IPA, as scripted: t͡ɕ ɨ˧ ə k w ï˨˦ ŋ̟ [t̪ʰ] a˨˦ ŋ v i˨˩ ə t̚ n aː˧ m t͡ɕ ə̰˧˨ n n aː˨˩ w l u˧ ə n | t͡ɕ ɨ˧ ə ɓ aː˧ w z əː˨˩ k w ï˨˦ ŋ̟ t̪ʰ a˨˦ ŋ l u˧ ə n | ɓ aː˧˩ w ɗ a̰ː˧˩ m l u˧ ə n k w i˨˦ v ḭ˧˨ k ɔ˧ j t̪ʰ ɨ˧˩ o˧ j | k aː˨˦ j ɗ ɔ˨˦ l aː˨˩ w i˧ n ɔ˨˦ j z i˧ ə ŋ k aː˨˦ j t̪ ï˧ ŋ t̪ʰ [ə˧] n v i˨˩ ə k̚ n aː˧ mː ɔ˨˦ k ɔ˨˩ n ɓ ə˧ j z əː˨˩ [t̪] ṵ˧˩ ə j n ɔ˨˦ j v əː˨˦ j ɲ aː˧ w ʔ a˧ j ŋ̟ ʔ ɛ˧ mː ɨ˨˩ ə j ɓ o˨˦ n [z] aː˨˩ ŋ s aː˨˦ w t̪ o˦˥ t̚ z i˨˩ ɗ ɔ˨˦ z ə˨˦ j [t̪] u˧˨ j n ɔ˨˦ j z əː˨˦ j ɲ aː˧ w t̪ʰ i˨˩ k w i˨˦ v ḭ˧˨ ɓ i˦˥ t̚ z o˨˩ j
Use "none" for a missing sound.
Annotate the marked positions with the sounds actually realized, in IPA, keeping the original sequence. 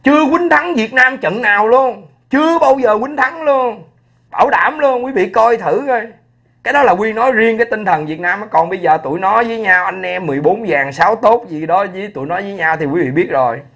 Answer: t̪ʰ, ə˨˩, t̪, z, t̪

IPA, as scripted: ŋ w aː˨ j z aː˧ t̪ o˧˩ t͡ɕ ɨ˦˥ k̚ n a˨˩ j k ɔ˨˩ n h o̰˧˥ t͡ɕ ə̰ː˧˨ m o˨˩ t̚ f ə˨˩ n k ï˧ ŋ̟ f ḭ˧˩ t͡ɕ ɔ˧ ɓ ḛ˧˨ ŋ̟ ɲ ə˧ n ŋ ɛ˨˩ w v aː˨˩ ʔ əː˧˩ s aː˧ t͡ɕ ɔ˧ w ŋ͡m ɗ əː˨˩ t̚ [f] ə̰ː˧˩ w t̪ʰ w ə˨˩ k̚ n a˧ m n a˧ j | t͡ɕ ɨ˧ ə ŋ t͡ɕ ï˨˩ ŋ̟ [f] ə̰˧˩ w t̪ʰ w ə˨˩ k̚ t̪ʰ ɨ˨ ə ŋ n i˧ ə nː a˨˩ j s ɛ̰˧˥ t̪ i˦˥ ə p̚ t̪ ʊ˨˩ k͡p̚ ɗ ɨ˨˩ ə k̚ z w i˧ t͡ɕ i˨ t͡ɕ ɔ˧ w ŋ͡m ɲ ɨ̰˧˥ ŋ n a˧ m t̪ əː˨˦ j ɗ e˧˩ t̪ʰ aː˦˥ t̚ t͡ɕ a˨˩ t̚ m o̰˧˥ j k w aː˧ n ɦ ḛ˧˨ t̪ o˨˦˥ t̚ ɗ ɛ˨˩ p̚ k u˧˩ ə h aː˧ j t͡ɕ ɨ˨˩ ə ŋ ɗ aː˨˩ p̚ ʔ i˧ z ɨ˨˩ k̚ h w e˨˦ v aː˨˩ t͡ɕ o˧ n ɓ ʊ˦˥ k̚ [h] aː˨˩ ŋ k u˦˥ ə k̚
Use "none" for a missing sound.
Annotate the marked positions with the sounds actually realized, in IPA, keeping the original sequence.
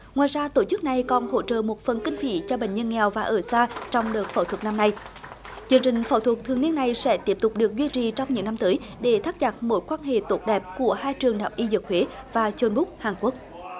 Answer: f, f, h

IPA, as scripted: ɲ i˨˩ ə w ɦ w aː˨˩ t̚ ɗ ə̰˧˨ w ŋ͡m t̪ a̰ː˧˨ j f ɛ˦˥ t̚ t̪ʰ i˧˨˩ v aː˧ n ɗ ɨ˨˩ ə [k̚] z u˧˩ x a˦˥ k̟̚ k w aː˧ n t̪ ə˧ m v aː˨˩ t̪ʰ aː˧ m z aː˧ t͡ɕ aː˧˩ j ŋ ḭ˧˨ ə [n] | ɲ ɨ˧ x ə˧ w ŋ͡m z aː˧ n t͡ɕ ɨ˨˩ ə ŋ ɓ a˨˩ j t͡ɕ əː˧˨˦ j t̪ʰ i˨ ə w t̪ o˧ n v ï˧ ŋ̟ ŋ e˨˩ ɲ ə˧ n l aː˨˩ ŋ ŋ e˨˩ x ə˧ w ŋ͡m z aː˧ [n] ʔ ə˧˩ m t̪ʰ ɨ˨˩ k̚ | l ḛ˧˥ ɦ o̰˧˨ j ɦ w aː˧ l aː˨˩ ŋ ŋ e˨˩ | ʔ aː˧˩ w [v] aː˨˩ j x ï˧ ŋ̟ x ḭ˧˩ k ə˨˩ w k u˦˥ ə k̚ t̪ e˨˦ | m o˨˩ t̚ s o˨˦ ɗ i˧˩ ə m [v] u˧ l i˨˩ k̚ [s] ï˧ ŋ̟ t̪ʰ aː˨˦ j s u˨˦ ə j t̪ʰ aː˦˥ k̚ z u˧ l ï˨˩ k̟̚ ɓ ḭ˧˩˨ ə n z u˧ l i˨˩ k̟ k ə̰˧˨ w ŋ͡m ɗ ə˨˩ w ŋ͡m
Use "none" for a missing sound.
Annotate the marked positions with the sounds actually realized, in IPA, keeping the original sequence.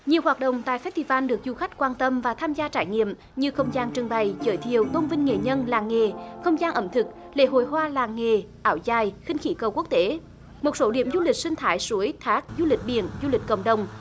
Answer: k̚, m, n, z, z, s

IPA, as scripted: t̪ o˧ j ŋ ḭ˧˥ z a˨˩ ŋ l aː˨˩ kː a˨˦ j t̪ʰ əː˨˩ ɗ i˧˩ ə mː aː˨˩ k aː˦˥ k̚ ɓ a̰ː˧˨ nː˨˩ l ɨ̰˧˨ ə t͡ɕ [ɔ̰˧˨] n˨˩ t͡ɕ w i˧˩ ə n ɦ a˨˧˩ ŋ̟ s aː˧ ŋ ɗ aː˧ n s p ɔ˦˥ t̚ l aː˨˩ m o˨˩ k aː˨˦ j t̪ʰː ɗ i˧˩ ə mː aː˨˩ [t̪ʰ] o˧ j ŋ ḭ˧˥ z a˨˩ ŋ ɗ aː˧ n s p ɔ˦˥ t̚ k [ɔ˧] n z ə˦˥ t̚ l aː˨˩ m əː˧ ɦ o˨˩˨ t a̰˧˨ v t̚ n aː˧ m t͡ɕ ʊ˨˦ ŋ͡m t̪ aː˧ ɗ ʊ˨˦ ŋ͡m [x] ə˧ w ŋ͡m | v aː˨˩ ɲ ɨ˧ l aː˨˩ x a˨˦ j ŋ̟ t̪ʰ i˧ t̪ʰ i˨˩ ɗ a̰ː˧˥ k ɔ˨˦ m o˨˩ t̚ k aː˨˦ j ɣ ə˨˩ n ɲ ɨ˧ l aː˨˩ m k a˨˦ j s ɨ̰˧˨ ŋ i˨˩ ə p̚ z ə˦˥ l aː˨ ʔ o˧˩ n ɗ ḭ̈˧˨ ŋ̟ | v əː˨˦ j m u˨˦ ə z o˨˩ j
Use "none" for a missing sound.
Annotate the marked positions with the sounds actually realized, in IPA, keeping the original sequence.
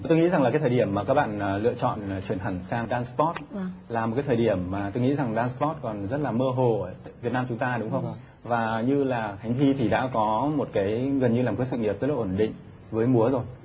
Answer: ɔ̰˧˨, t̪, ɔ˨˩, x

